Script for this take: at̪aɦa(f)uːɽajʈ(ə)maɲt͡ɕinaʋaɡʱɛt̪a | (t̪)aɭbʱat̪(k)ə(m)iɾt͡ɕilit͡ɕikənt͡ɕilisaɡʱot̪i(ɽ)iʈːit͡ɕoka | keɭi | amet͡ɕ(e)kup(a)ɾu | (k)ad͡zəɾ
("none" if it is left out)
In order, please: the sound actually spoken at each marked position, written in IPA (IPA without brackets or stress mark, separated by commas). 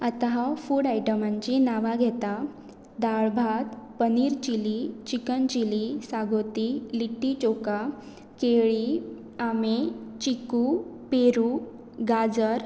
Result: f, ə, d̪, p, n, l, i, e, ɡ